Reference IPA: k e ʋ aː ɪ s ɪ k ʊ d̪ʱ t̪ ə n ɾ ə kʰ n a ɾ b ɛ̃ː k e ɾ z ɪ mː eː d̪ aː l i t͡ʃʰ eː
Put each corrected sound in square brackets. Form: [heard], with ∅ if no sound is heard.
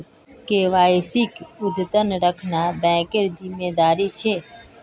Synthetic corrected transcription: k e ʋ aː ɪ s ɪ k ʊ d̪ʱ t̪ ə n ɾ ə kʰ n a [∅] b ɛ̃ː k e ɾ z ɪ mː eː d̪ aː [ɾ] i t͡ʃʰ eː